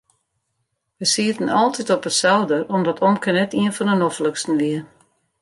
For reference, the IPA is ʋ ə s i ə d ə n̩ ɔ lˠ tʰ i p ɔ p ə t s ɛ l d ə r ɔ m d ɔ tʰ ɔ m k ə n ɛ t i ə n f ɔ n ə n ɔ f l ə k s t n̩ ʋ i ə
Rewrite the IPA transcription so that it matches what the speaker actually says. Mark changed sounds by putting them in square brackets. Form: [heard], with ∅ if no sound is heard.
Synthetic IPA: ʋ ə s i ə [t] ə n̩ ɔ lˠ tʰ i [t] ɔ p ə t s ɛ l d ə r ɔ m d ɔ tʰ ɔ m k ə n ɛ t i ə n f ɔ n ə n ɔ f l ə k s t n̩ ʋ i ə